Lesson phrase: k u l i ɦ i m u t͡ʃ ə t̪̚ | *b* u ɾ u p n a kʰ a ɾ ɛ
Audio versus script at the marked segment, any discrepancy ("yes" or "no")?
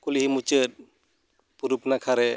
yes